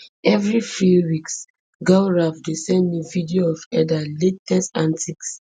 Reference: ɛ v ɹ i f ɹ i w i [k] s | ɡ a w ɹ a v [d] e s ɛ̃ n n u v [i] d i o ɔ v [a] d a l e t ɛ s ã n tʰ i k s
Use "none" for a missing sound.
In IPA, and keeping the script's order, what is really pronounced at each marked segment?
k, d, i, ɛ

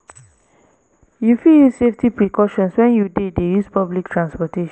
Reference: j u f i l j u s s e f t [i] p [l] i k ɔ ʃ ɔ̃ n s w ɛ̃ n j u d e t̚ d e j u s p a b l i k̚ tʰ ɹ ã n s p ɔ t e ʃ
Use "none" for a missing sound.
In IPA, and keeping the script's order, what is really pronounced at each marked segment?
i, ɹ

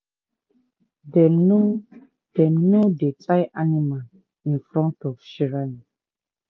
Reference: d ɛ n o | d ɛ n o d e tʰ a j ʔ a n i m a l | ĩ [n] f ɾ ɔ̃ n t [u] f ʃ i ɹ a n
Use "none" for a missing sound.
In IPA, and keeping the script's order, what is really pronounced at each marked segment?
n, ɔ

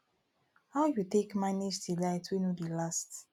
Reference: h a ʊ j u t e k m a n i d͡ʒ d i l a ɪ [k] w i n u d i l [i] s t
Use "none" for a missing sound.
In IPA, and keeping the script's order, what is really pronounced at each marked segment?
t, a

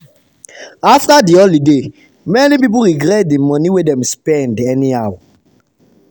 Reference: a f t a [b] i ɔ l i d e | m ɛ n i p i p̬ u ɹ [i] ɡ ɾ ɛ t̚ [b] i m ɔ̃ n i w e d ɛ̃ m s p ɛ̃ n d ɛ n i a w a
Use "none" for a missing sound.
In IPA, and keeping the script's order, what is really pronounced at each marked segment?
d, i, d

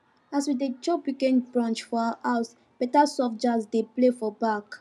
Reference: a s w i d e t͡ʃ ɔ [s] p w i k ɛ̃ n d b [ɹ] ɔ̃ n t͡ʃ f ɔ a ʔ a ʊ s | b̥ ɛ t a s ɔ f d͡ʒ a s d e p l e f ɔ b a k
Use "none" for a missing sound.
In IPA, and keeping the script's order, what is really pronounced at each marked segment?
none, ɹ

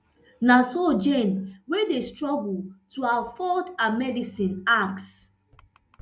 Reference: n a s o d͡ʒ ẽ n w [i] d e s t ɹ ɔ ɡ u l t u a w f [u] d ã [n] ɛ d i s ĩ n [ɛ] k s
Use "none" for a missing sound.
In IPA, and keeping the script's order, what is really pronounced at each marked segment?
e, ɔ, m, a

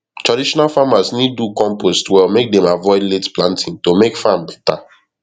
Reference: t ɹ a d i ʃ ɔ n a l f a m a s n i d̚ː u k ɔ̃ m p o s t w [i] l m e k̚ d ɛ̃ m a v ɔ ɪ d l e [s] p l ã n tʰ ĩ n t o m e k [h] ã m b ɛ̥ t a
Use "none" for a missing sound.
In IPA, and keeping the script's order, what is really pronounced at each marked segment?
ɛ, t, f

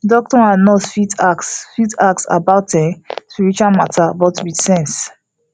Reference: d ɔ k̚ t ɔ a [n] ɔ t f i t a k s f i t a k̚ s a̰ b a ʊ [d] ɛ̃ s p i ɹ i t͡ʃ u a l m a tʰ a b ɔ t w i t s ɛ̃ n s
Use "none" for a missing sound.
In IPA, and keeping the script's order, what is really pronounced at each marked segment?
n, t

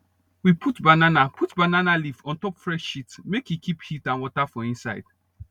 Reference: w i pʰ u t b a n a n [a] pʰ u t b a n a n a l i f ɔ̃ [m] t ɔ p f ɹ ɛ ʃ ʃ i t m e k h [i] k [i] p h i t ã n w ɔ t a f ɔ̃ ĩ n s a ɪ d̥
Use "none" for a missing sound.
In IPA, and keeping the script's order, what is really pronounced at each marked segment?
a, n, i, i

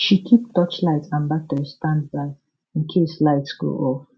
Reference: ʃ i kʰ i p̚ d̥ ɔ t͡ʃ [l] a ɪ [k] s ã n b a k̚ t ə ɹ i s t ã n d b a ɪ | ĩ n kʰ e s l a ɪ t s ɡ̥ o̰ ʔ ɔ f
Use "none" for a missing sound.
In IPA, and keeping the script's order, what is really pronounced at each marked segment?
l, t

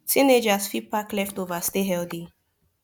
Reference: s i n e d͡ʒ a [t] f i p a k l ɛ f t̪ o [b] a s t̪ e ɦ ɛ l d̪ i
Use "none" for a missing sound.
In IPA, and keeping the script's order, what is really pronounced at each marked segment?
s, v

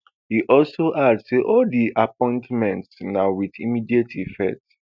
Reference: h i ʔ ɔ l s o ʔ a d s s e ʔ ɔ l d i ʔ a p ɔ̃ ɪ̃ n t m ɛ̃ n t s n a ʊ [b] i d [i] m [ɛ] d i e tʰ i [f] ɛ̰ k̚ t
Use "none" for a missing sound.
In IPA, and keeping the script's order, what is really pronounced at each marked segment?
w, i, i, f

